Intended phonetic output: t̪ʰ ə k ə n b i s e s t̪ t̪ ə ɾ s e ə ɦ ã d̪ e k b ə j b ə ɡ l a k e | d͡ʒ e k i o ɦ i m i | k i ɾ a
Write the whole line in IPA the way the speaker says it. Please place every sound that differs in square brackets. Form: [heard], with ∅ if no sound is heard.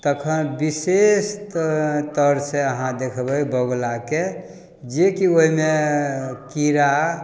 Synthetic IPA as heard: [t̪] ə [kʰ] ə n b i s e s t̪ t̪ ə ɾ s e ə ɦ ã d̪ e [kʰ] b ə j b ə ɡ l a k e | d͡ʒ e k i o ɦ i m [e] | k i ɾ a

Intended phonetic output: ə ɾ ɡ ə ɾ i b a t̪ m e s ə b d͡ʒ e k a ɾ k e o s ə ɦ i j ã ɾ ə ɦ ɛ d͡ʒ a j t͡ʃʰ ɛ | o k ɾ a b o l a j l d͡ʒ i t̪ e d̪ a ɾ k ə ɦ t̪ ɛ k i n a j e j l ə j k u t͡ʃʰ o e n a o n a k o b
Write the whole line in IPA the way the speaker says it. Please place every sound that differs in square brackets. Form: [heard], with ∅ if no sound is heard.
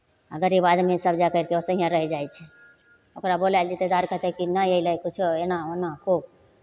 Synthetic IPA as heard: ə [∅] ɡ ə ɾ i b a [d̪] m e s ə b d͡ʒ [a] k [ə] ɾ k e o s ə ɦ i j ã ɾ ə ɦ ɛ d͡ʒ a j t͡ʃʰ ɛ | o k ɾ a b o l a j l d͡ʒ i t̪ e d̪ a ɾ k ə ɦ t̪ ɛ k i n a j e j l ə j k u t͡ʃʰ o e n a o n a k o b

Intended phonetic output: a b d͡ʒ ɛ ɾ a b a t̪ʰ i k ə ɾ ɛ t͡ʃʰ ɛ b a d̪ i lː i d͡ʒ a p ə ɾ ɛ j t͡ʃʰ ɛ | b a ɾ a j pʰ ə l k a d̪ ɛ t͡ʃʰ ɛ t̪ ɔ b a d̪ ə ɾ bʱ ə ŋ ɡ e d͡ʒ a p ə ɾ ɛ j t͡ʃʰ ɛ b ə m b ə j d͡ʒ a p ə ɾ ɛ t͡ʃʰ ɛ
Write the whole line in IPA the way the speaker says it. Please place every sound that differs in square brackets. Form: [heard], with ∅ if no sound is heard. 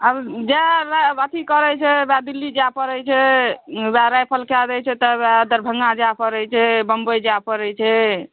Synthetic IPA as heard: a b d͡ʒ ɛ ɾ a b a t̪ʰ i k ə ɾ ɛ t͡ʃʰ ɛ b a d̪ i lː i d͡ʒ a p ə ɾ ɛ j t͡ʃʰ ɛ | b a ɾ a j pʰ ə l k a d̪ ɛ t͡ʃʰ ɛ t̪ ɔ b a d̪ ə ɾ bʱ ə ŋ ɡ [a] d͡ʒ a p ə ɾ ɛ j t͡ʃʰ ɛ b ə m b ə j d͡ʒ a p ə ɾ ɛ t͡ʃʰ ɛ

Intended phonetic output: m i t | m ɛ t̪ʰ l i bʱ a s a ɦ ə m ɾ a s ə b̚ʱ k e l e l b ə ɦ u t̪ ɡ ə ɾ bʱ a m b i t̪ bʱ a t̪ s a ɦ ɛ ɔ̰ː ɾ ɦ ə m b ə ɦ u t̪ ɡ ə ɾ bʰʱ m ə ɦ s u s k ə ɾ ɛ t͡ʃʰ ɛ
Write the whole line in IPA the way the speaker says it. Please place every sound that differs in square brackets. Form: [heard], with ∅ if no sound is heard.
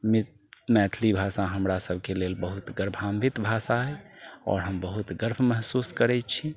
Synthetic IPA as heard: m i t | m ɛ t̪ʰ l i bʱ a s a ɦ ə m ɾ a s ə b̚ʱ k e l e l b ə ɦ u t̪ ɡ ə ɾ bʱ a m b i t̪ bʱ a [∅] s a ɦ ɛ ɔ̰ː ɾ ɦ ə m b ə ɦ u t̪ ɡ ə ɾ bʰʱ m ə ɦ s u s k ə ɾ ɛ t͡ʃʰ [i]

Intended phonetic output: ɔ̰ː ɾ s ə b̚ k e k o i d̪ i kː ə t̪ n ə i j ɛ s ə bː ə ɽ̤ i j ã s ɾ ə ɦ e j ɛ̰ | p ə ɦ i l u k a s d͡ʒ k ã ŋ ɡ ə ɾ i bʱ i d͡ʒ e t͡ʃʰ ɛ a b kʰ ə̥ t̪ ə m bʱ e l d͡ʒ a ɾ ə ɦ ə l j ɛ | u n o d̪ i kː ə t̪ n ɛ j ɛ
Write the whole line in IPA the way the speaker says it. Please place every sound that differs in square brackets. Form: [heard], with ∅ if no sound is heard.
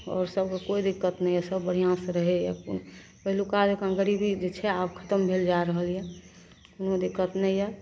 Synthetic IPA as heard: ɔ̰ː ɾ s ə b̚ k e k o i d̪ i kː ə t̪ n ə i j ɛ s ə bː ə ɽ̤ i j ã s ɾ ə ɦ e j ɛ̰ | p ə ɦ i l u k a [∅] d͡ʒ k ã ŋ ɡ ə ɾ i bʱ i d͡ʒ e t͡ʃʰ ɛ a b kʰ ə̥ t̪ ə m bʱ e l d͡ʒ a ɾ ə ɦ ə l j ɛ | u n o d̪ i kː ə t̪ n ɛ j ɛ

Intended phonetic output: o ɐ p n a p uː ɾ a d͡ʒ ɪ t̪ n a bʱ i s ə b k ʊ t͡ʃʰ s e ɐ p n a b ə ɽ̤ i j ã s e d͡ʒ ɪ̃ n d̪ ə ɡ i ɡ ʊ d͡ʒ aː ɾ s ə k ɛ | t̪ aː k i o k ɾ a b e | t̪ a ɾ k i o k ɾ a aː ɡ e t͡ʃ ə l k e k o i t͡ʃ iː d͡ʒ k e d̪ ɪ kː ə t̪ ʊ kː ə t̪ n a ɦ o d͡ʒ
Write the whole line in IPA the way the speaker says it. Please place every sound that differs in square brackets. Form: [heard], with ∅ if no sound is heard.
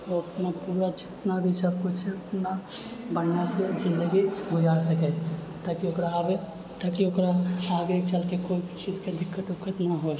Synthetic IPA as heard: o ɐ p n a p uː ɾ a d͡ʒ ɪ t̪ n a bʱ i s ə b k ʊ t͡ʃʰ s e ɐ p n a b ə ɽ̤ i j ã s e d͡ʒ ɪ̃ n d̪ ə ɡ i ɡ ʊ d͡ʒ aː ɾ s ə k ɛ | t̪ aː k i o k ɾ a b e | t̪ a [∅] k i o k ɾ a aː ɡ e t͡ʃ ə l k e k o i t͡ʃ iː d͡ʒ k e d̪ ɪ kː ə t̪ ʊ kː ə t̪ n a ɦ o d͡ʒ

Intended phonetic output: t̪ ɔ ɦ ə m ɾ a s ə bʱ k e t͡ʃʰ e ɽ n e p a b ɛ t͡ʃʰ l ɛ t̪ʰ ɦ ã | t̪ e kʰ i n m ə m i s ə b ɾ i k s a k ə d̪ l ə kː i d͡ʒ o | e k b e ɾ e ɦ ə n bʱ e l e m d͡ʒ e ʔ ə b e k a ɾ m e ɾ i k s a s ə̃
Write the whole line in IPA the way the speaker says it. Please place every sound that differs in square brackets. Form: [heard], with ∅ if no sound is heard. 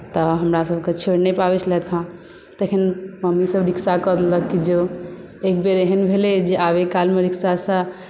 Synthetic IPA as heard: t̪ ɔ ɦ ə m ɾ a s ə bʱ k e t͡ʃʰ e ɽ n e p a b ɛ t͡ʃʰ l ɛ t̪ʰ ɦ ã | t̪ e kʰ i n m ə m i s ə b ɾ i k s a k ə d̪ l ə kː i d͡ʒ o | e k b e ɾ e ɦ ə n bʱ e l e [∅] d͡ʒ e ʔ [a] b e k a [l] m e ɾ i k s a s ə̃

